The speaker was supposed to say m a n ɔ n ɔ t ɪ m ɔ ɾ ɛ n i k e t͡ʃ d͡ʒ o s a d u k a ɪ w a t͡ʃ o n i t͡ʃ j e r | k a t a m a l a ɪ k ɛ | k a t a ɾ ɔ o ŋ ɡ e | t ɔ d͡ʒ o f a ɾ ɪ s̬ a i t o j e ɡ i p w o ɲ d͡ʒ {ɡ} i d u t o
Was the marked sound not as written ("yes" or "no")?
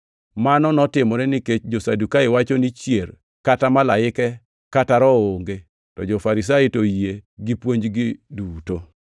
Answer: no